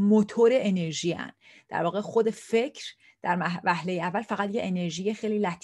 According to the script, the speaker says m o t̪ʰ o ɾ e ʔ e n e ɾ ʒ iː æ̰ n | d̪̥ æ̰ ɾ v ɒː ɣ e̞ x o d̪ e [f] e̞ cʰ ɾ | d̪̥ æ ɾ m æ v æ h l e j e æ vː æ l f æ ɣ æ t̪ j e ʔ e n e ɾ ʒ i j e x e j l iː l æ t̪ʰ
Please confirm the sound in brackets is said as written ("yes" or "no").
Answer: yes